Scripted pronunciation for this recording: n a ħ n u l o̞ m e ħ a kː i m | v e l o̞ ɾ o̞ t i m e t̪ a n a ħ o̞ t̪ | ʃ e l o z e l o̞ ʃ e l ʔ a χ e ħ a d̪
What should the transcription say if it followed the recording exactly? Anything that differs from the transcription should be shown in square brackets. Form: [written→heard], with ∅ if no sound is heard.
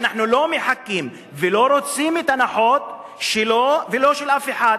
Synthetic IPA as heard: n a ħ n u l o̞ m e ħ a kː i m | v e l o̞ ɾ o̞ [t→t͡s] i m e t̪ a n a ħ o̞ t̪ | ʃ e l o [z→v] e l o̞ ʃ e l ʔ a [χ→f] e ħ a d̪